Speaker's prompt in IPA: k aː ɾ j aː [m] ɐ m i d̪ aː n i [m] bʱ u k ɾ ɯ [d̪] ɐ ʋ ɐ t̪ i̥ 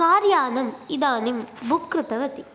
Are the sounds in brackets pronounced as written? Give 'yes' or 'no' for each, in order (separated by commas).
no, yes, no